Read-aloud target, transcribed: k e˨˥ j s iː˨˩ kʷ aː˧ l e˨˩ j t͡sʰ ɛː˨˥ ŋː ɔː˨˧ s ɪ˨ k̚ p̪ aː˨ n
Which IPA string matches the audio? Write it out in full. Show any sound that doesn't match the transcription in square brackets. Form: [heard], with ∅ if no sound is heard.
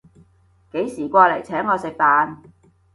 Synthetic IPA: k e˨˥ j s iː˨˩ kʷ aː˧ l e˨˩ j t͡sʰ ɛː˨˥ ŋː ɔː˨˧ s ɪ˨ k̚ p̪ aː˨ n